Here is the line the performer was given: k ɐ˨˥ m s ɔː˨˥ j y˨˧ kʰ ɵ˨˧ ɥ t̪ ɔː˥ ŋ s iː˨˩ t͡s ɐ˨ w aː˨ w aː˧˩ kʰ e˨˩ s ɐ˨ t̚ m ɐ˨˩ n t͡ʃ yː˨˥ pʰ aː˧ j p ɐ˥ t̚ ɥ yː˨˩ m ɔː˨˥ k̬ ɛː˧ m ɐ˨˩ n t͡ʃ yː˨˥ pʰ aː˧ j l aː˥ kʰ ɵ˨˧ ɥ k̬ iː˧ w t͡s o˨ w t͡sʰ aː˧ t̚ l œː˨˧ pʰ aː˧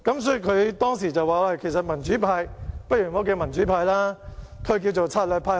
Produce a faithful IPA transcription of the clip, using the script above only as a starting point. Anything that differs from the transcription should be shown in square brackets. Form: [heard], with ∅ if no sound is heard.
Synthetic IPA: k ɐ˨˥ m s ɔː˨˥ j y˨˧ kʰ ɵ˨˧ ɥ t̪ ɔː˥ ŋ s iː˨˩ t͡s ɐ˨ w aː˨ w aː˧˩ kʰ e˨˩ s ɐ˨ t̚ m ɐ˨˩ n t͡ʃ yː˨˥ pʰ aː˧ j p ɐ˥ t̚ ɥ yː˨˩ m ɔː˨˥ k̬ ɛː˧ m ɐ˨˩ n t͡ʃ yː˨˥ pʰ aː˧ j l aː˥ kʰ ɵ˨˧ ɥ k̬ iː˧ w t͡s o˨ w t͡sʰ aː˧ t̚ l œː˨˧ pʰ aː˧